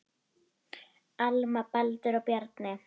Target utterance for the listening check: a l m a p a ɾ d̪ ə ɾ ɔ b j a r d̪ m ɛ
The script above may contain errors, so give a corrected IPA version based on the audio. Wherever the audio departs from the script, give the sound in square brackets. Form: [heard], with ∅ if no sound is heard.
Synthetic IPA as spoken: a l m a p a [l] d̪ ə ɾ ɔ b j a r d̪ [n] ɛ